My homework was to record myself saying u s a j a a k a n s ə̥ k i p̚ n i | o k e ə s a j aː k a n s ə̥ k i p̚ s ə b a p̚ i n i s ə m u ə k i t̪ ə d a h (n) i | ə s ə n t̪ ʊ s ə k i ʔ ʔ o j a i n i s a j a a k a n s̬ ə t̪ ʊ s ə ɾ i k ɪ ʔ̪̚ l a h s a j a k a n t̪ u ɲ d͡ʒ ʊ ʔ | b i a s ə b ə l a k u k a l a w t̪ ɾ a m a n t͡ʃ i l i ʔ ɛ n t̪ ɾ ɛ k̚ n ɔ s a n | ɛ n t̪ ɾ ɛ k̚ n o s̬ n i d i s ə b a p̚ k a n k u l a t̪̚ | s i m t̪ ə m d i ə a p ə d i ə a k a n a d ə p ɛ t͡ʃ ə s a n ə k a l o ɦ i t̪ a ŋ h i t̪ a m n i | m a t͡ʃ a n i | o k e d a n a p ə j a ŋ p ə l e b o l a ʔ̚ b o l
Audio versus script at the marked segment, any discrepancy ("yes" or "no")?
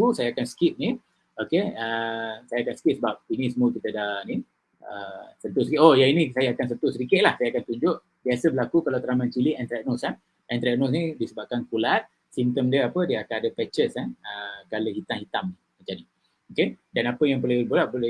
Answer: no